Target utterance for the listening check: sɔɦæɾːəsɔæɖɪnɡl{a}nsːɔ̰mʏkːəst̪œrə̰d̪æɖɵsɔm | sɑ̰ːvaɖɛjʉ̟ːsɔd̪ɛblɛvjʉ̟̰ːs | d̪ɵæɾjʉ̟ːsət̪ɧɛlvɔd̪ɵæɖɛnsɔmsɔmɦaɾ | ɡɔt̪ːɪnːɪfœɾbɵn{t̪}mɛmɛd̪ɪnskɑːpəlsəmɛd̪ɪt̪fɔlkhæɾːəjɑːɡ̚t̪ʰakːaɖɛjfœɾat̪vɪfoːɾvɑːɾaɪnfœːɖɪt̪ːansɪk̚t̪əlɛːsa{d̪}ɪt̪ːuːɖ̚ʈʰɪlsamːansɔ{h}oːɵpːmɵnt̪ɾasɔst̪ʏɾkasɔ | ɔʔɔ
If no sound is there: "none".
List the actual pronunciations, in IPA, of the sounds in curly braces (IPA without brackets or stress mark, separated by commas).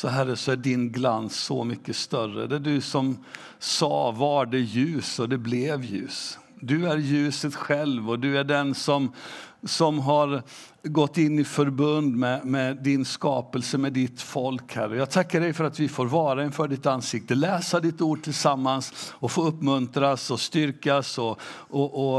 a, d̪, d̪, f